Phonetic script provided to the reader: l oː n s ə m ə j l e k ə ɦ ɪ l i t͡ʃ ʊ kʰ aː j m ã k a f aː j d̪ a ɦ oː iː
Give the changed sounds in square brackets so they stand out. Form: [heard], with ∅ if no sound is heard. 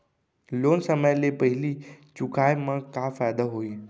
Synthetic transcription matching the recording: l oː n s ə m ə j l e [p] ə ɦ ɪ l i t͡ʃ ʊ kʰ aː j m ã k a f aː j d̪ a ɦ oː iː

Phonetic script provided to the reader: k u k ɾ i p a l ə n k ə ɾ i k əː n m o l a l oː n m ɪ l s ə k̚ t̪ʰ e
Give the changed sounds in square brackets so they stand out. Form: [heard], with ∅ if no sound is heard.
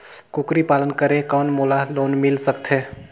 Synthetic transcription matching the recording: k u k ɾ i p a l ə n k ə ɾ [e] k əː n m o l a l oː n m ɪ l s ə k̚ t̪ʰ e

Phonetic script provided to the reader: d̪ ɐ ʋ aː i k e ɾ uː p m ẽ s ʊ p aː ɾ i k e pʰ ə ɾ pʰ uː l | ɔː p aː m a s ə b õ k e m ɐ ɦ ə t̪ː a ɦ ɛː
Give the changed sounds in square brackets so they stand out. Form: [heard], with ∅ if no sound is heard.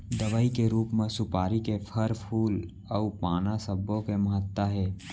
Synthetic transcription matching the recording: d̪ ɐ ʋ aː i k e ɾ uː p m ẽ s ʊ p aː ɾ i k e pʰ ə ɾ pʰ uː l | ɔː p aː [n] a s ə b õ k e m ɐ ɦ ə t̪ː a ɦ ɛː

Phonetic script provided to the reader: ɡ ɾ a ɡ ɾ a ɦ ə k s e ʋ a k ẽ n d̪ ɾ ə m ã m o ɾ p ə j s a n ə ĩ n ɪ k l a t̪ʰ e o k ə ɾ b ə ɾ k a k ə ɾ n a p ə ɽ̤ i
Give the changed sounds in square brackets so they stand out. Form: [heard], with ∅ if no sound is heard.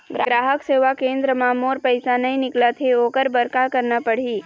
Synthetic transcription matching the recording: ɡ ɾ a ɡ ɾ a ɦ ə k s e ʋ a k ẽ n d̪ ɾ ə m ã m o ɾ p ə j s a n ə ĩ n ɪ k l a t̪ʰ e o k ə ɾ b ə ɾ k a k ə ɾ n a p ə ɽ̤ i

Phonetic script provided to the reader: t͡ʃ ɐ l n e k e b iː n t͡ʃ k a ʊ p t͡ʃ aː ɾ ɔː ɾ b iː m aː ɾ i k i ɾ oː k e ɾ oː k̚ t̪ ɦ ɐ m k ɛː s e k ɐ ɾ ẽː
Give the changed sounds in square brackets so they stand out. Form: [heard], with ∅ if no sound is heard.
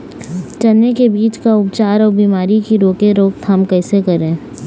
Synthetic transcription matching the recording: t͡ʃ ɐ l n e k e b iː [∅] t͡ʃ k a ʊ p t͡ʃ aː ɾ ɔː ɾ b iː m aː ɾ i k i ɾ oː k e ɾ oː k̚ t̪ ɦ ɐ m k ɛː s e k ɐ ɾ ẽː

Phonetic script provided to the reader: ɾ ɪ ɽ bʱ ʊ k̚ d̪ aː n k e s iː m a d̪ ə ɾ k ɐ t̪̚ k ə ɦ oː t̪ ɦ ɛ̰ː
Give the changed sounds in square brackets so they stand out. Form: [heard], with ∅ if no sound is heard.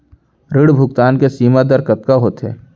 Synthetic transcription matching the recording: ɾ ɪ ɽ bʱ ʊ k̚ [t̪] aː n k e s iː m a d̪ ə ɾ k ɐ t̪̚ k [a] ɦ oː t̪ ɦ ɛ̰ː

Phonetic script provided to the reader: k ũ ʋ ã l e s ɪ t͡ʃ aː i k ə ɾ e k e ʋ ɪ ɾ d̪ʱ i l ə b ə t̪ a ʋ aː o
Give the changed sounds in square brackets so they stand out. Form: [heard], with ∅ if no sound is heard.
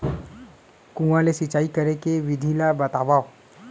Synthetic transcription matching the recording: k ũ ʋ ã l e s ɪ t͡ʃ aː i k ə ɾ e k e ʋ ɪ [∅] d̪ʱ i l [a] b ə t̪ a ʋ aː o

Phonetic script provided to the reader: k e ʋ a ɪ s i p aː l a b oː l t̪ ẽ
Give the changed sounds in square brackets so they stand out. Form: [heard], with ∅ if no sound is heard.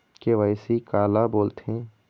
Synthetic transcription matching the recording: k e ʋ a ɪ s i [k] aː l a b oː l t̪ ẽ

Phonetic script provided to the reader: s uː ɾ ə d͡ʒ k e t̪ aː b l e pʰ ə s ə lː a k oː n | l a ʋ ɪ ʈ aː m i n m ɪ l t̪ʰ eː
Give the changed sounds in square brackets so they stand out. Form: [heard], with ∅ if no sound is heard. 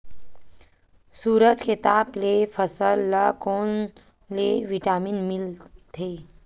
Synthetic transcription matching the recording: s uː ɾ ə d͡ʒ k e t̪ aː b l e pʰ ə s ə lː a k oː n | l [e] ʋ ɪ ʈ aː m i n m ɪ l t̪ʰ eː

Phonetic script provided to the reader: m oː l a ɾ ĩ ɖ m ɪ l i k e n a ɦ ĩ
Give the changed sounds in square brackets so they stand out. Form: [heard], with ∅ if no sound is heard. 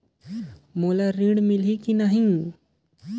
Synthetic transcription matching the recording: m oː l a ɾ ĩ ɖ m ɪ l i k [i] n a ɦ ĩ

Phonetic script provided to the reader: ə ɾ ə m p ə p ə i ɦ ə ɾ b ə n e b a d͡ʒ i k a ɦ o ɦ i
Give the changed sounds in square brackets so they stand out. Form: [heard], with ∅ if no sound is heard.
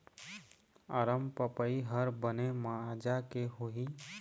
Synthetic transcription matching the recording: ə ɾ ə m p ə p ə i ɦ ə ɾ b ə n e [m] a d͡ʒ [a] k [e] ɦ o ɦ i

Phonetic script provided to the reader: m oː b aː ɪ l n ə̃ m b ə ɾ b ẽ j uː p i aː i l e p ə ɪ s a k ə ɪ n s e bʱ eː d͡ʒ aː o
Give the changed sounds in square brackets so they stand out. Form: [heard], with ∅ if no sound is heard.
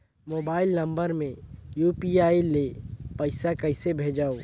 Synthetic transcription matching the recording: m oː b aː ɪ l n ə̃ m b ə ɾ [m] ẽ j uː p i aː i l e p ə ɪ s a k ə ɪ [∅] s e bʱ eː d͡ʒ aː o

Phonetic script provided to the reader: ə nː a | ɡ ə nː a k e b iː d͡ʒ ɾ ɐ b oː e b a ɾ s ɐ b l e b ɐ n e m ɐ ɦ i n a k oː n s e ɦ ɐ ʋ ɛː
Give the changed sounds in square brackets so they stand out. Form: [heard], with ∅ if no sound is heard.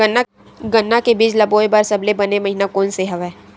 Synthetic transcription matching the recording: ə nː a | ɡ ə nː a k e b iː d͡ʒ [l] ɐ b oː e b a ɾ s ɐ b l e b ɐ n e m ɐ ɦ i n a k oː n s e ɦ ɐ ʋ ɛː

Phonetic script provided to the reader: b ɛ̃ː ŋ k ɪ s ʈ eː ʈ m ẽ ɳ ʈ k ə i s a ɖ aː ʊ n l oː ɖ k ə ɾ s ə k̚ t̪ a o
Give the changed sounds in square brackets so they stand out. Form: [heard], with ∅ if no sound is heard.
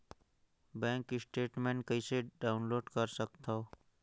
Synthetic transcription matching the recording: b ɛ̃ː ŋ k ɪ s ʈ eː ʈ m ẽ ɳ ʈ k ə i s [e] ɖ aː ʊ n l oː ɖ k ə ɾ s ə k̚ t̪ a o

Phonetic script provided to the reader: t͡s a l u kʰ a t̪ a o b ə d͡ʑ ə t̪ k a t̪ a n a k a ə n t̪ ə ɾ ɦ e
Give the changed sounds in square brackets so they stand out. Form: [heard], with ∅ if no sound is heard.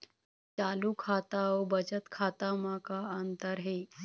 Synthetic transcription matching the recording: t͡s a l u kʰ a t̪ a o b ə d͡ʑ ə t̪ [kʰ] a t̪ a [m] a k a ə n t̪ ə ɾ ɦ e

